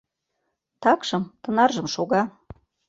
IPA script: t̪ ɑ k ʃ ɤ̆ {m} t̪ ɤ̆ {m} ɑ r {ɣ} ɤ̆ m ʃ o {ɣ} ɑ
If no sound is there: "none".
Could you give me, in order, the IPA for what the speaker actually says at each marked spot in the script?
m, n, ʒ, ɣ

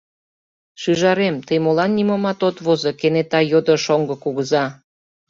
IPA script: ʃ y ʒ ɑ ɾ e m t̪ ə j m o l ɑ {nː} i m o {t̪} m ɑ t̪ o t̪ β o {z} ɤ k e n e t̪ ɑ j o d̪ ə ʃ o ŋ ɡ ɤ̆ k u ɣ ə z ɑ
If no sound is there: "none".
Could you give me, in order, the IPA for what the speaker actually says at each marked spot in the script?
nː, none, z

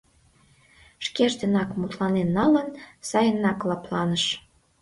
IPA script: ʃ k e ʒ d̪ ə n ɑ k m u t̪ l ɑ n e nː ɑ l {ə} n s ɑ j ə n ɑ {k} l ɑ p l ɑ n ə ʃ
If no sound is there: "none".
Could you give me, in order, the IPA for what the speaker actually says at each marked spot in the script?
ə, k

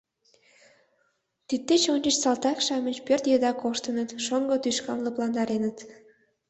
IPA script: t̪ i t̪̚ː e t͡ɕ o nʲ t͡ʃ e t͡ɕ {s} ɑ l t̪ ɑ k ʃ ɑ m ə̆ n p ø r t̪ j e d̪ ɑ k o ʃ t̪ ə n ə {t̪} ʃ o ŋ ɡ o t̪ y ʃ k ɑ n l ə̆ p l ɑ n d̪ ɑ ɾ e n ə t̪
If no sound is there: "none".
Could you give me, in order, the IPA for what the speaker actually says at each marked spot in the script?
s, t̪

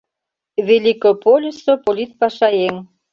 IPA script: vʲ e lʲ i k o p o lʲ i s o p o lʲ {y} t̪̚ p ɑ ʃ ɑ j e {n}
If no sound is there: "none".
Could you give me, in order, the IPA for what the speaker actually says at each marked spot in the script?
i, ŋ

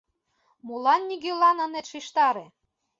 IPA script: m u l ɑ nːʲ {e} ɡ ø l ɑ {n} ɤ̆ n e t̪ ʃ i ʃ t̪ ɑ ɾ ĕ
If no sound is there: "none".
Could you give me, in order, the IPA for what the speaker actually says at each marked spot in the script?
i, n

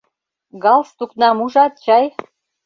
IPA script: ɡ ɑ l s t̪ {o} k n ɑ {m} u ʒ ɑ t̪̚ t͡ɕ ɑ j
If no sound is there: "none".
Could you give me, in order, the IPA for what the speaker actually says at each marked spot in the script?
u, m

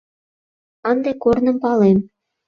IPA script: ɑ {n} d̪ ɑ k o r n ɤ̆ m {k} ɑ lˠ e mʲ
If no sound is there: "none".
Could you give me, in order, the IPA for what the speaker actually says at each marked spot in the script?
n, p

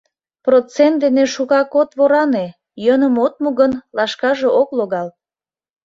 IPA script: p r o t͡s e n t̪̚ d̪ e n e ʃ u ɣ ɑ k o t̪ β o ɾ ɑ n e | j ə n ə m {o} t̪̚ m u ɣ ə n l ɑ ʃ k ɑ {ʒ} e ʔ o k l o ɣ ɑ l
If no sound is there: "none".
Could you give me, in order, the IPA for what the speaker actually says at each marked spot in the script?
o, ʒ

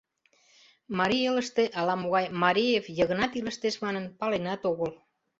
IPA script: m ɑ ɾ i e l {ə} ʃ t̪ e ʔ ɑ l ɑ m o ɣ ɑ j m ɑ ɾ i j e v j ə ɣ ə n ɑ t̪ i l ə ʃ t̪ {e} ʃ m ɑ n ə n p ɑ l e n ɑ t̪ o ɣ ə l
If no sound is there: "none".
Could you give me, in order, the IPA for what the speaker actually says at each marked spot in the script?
ə, e

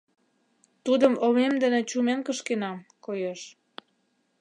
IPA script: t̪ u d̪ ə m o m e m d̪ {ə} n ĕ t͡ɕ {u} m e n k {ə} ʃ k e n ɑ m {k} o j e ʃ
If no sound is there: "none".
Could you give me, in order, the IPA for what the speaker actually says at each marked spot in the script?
ə, u, ə, k

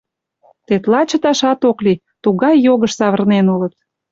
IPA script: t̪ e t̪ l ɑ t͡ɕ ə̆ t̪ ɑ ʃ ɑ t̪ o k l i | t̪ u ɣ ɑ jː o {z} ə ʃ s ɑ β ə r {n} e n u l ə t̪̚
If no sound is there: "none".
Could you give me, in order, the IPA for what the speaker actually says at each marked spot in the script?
ɣ, n

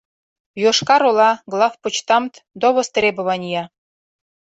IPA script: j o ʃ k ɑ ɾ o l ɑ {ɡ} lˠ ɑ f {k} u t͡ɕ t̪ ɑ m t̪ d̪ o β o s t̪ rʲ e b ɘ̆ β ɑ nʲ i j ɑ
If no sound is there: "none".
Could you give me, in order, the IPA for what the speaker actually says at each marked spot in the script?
ɡ, p

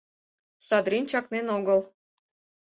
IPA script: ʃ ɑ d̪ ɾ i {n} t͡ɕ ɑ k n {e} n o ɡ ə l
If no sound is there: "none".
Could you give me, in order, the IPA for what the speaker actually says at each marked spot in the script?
n, e

